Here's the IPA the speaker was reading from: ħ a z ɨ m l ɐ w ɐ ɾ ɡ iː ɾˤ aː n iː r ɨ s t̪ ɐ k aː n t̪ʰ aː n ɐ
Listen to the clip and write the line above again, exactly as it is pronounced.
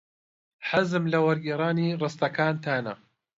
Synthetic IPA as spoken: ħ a z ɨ m l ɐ w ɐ ɾ ɡ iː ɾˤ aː n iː r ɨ s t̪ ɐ k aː n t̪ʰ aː n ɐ